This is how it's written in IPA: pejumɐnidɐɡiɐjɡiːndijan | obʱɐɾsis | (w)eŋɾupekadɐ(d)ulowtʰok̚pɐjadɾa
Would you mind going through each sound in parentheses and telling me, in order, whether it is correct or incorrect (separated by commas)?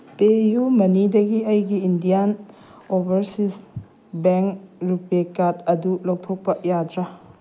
incorrect, correct